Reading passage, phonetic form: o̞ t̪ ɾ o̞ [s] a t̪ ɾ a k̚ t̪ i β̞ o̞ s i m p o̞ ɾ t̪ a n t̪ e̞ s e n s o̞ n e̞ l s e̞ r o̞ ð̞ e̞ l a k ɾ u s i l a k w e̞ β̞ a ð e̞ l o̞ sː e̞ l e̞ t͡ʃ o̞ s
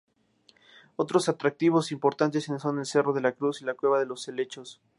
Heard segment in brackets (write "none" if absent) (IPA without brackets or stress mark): s